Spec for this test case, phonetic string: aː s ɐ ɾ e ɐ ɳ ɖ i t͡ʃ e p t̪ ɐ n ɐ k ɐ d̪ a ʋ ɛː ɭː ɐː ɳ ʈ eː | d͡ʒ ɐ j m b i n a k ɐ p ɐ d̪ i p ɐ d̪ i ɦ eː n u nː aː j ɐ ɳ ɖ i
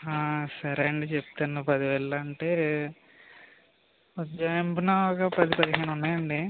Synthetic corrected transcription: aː s ɐ ɾ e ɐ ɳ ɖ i t͡ʃ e p t̪ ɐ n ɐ p ɐ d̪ i ʋ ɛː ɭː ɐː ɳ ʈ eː | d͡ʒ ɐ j m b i n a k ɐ p ɐ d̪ i p ɐ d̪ i ɦ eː n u nː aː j ɐ ɳ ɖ i

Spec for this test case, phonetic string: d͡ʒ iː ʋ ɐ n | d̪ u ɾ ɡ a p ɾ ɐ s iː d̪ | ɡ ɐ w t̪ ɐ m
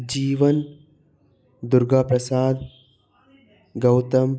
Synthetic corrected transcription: d͡ʒ iː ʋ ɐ n | d̪ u ɾ ɡ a p ɾ ɐ s aː d̪ | ɡ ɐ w t̪ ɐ m

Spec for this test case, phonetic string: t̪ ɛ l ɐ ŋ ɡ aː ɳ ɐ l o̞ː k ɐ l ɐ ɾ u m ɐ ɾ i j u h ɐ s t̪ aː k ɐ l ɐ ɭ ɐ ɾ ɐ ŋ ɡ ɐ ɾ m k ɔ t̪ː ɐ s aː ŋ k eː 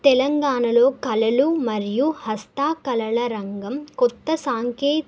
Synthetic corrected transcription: t̪ ɛ l ɐ ŋ ɡ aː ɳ ɐ l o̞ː k ɐ l ɐ l u m ɐ ɾ i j u h ɐ s t̪ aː k ɐ l ɐ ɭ ɐ ɾ ɐ ŋ ɡ ɐ m k ɔ t̪ː ɐ s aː ŋ k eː

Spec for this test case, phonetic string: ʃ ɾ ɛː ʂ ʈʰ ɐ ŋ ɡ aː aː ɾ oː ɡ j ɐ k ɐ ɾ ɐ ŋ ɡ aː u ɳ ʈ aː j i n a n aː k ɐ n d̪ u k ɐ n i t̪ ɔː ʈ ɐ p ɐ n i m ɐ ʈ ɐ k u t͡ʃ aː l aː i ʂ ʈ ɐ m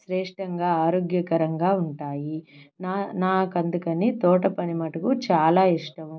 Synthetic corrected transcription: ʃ ɾ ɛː ʂ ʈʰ ɐ ŋ ɡ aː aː ɾ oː ɡ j ɐ k ɐ ɾ ɐ ŋ ɡ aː u ɳ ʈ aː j i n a n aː k ɐ n d̪ u k ɐ n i t̪ ɔː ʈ ɐ p ɐ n i m ɐ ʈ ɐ k u t͡ʃ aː l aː i ʂ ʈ ɐ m

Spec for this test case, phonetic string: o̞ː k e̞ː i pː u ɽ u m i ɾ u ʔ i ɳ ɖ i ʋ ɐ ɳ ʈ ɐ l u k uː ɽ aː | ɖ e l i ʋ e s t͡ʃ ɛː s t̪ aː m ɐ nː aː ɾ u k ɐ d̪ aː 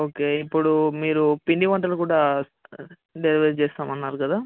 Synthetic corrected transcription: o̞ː k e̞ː i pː u ɽ u m iː ɾ u p i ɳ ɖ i ʋ ɐ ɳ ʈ ɐ l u k uː ɽ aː | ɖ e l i ʋ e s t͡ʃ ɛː s t̪ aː m ɐ nː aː ɾ u k ɐ d̪ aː

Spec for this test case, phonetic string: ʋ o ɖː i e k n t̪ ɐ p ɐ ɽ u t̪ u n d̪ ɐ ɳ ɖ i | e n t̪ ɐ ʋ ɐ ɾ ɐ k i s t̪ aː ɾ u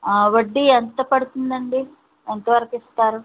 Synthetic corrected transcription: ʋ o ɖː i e n t̪ ɐ p ɐ ɽ u t̪ u n d̪ ɐ ɳ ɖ i | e n t̪ ɐ ʋ ɐ ɾ ɐ k i s t̪ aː ɾ u

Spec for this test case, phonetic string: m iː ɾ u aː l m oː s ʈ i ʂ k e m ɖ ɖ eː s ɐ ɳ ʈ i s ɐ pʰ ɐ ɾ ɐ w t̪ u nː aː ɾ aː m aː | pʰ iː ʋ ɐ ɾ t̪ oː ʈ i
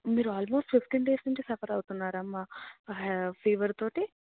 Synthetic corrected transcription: m iː ɾ u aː l m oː s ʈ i s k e ɳ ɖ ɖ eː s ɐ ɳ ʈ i s ɐ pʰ ɐ ɾ ɐ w t̪ u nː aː ɾ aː m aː | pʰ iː ʋ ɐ ɾ t̪ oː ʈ i

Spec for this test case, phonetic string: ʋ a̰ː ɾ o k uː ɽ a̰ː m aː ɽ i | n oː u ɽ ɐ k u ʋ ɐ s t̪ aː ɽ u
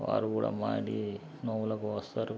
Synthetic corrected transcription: ʋ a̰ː ɾ u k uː ɽ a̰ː m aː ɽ i | n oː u l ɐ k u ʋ ɐ s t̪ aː ɾ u

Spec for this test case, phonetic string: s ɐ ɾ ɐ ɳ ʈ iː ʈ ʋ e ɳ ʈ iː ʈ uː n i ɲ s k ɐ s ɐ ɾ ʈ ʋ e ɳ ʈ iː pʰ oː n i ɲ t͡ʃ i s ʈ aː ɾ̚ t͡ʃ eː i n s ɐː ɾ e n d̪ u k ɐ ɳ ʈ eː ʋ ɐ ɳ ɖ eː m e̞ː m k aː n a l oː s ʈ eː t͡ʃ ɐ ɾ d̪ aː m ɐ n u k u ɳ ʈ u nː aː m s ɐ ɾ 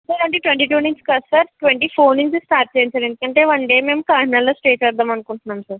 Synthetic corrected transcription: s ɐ ɾ ɐ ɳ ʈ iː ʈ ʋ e ɳ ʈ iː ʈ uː n i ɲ s k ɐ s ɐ ɾ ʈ ʋ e ɳ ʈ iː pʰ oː n i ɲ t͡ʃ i s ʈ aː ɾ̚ t͡ʃ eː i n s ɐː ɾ e n d̪ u k ɐ ɳ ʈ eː ʋ ɐ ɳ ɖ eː m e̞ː m k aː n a l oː s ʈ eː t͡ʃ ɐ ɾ d̪ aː m ɐ n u k u ɳ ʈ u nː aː m s ɐ ɾ

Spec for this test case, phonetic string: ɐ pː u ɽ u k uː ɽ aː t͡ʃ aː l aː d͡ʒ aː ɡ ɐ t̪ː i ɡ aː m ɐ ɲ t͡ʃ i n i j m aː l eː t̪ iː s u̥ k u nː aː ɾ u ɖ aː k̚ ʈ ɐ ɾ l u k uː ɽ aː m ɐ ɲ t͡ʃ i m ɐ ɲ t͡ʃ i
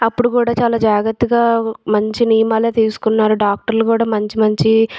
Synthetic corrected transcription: ɐ pː u ɽ u k uː ɽ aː t͡ʃ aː l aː d͡ʒ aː ɡ ɐ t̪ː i ɡ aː m ɐ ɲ t͡ʃ i n i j m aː l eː t̪ iː s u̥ k u nː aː ɾ u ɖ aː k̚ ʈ ɐ ɾ l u k uː ɽ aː m ɐ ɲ t͡ʃ i m ɐ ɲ t͡ʃ i

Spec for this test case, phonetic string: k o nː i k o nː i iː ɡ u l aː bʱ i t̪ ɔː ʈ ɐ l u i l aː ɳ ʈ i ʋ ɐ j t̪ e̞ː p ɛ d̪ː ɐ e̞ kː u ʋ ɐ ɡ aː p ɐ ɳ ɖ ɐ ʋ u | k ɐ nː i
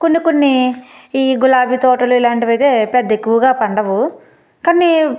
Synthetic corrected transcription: k o nː i k o nː i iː ɡ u l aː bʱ i t̪ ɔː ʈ ɐ l u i l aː ɳ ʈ i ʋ ɐ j t̪ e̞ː p ɛ d̪ː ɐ e̞ kː u ʋ ɐ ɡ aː p ɐ ɳ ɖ ɐ ʋ u | k ɐ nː i

